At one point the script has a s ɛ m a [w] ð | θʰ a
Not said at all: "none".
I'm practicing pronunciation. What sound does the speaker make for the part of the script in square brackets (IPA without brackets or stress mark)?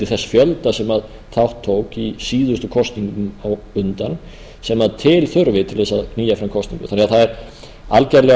none